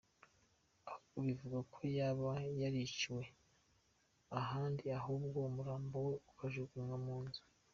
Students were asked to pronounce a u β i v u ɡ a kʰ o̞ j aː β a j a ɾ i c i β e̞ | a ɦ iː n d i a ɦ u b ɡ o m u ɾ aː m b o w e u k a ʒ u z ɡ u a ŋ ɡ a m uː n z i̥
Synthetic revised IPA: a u β i v u ɡ a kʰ o̞ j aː β a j a ɾ i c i w e̞ | a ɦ aː n d i a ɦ u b ɡ o m u ɾ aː m b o w e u k a ʒ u ɡ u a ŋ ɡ a m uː n z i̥

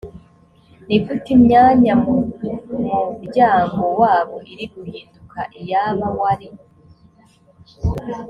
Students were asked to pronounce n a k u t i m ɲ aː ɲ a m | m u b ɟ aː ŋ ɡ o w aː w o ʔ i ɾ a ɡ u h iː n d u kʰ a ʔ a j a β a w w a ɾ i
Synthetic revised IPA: n i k u t i m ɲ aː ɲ a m | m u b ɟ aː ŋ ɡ o w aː β o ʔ i ɾ i ɡ u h iː n d u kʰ a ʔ i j a β a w w a ɾ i

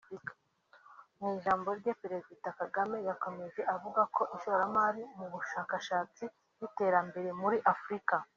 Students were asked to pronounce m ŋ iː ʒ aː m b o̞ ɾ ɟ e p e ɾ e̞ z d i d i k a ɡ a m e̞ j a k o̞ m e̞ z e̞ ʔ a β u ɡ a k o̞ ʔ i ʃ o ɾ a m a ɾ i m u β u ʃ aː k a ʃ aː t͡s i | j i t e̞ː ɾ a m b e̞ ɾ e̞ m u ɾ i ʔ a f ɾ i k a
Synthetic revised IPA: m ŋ iː ʒ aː m b o̞ ɾ ɟ e p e ɾ e̞ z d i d a k a ɡ a m e̞ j a k o̞ m e̞ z e̞ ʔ a v u ɡ a k o̞ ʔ i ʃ o ɾ a m a ɾ i m u β u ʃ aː k a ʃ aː t͡s i | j i t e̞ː ɾ a m b e̞ ɾ e̞ m u ɾ i ʔ a f ɾ i k a

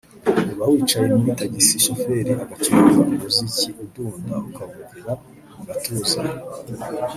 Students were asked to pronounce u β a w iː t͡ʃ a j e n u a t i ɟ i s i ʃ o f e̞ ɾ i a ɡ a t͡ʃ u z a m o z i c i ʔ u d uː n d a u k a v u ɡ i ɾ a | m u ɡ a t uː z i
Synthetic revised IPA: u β a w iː t͡ʃ a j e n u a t a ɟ i s i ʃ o f e̞ ɾ i a ɡ a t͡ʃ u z a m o z i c i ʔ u d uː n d a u k a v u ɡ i ɾ a | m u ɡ a t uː z a

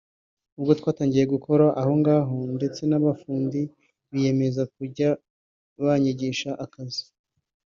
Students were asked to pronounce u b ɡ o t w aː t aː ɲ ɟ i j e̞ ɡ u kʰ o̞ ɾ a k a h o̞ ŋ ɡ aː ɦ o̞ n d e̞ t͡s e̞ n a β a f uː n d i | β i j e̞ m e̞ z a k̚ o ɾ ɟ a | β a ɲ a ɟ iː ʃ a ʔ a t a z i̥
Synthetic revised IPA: u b ɡ o t w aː t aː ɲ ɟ i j e̞ ɡ u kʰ o̞ ɾ a ʔ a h o̞ ŋ ɡ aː ɦ o̞ n d e̞ t͡s e̞ n a β a f uː n d i | β i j e̞ m e̞ z a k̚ u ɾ ɟ a | β a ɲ i ɟ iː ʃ a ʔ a k a z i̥

